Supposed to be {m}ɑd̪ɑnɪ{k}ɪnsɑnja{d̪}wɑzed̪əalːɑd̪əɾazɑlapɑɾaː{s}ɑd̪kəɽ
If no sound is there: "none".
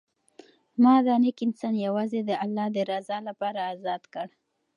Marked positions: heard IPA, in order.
m, k, none, z

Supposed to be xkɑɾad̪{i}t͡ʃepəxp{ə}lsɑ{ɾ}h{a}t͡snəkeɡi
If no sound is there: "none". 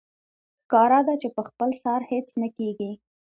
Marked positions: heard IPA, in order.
a, ə, ɾ, e

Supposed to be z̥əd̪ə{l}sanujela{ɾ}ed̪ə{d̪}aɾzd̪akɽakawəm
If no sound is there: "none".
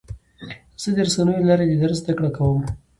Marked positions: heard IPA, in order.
ɾ, ɾ, d̪

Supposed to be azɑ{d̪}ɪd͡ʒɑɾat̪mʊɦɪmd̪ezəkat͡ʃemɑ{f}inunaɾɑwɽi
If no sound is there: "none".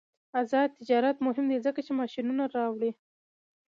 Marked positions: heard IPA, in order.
t̪, ʃ

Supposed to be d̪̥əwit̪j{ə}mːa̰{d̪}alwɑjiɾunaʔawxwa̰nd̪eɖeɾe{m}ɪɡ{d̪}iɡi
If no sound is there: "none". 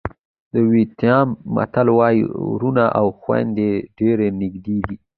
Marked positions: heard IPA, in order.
ɑ, t̪, n, d̪

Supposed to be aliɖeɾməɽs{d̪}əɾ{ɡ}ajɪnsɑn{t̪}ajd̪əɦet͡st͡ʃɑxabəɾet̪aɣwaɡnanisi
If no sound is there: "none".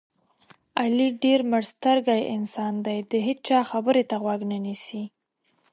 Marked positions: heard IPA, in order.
t̪, ɡ, d̪

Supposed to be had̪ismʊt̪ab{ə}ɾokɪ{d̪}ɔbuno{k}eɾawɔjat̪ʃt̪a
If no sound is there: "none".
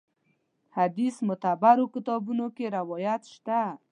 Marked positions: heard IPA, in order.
a, t̪, k

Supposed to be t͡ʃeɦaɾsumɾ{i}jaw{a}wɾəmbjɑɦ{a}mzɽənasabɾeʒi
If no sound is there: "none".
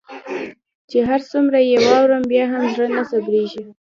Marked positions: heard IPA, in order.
a, ɑ, a

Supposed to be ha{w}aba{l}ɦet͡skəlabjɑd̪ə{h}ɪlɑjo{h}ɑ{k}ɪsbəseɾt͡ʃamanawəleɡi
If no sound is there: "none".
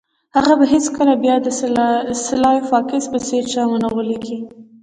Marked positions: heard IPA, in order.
ɣ, none, s, f, k

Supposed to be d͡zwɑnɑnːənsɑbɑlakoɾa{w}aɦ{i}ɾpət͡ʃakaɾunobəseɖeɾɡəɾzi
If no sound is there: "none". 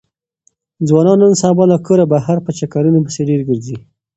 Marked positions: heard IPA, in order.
b, a

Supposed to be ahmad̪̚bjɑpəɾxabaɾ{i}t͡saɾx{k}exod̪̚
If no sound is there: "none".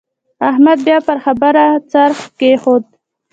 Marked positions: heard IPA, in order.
a, k

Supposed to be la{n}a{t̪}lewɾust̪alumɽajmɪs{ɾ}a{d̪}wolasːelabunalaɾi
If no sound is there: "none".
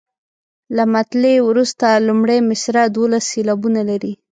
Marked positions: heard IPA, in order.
m, t̪, ɾ, d̪

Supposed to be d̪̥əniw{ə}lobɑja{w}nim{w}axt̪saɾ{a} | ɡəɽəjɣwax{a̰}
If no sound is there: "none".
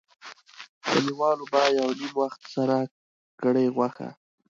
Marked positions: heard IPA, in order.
ɑ, w, w, a, a̰

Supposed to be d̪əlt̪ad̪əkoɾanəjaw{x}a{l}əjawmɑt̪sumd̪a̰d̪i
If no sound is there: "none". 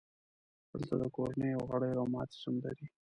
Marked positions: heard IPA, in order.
ɣ, ɽ

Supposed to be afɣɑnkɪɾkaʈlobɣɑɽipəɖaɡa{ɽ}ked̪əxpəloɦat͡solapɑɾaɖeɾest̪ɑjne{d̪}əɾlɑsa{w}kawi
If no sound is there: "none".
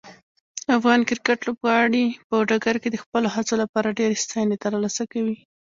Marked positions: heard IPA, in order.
ɾ, t̪, none

